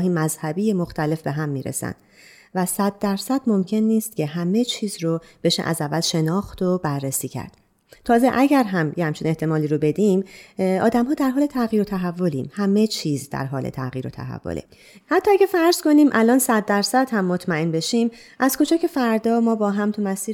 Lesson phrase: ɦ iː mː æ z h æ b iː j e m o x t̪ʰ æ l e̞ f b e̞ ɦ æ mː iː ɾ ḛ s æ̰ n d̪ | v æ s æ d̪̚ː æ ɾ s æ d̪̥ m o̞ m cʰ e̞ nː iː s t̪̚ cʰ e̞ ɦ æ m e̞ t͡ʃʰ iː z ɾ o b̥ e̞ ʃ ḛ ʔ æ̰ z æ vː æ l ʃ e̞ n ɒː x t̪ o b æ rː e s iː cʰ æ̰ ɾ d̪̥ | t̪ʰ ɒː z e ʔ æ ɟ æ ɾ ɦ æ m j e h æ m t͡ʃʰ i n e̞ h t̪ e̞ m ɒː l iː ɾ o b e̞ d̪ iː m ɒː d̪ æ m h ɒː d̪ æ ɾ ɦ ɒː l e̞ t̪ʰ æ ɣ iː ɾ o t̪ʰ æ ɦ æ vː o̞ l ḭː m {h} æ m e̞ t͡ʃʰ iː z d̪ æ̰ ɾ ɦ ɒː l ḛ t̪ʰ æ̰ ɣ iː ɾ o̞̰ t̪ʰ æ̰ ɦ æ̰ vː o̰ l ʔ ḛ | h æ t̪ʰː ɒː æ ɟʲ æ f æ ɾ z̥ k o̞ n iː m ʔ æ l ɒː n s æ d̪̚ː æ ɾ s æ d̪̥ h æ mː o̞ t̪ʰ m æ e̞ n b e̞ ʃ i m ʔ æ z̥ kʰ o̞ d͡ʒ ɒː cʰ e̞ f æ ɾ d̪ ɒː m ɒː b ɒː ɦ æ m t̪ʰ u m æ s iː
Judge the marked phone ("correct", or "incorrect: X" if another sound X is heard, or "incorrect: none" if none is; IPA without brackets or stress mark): correct